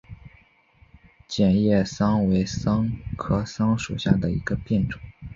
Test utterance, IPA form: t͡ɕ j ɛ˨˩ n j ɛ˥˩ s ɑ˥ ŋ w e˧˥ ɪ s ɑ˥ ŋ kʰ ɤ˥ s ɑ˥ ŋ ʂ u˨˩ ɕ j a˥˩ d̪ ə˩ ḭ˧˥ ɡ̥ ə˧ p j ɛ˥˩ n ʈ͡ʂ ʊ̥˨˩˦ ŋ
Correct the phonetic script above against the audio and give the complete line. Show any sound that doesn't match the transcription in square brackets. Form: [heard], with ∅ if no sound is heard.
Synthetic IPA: t͡ɕ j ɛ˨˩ n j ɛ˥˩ s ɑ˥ ŋ w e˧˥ ɪ s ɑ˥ ŋ kʰ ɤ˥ s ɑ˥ ŋ ʂ u˨˩ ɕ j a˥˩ d̪ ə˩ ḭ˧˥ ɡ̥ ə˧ p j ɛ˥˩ n ʈ͡ʂ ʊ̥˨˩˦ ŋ